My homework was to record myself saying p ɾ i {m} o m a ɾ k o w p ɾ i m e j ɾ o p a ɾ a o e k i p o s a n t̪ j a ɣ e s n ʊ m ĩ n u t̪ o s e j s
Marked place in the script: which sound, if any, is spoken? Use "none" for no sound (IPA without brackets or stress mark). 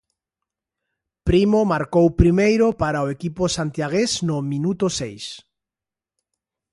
m